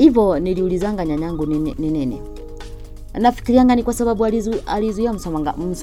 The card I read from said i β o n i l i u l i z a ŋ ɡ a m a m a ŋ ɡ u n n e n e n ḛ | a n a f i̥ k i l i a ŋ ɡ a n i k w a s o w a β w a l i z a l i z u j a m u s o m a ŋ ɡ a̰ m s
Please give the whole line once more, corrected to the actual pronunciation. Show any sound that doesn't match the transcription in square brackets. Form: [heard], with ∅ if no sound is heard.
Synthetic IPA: i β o n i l i u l i z a ŋ ɡ a [ɲ] a [ɲ] a ŋ ɡ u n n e n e n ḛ | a n a f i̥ k i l i a ŋ ɡ a n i k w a s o [β] a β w a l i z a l i z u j a m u s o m a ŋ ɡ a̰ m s